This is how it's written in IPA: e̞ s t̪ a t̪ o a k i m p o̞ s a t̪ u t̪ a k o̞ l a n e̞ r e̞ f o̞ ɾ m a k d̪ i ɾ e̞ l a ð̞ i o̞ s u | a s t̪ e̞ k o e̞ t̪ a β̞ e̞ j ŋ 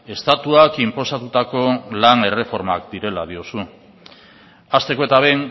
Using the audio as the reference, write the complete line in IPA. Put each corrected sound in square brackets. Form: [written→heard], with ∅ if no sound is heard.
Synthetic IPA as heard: e̞ s t̪ a t̪ [o→u] a k i m p o̞ s a t̪ u t̪ a k o̞ l a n e̞ r e̞ f o̞ ɾ m a k d̪ i ɾ e̞ l a ð̞ i o̞ s u | a s t̪ e̞ k o e̞ t̪ a β̞ e̞ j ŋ